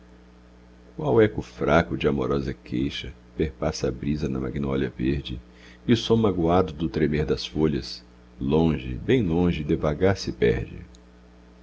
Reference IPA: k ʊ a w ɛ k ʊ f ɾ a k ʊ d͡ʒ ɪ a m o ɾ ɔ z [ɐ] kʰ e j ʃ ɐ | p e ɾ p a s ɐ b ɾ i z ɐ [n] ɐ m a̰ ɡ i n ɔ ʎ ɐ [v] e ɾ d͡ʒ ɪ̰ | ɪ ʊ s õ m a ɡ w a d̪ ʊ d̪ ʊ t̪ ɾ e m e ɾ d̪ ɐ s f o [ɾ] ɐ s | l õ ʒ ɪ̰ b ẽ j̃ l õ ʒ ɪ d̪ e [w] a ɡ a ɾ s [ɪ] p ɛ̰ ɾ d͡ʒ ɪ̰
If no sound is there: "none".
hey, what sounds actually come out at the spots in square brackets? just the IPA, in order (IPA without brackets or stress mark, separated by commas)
ɐ, n, v, ʎ, v, ɪ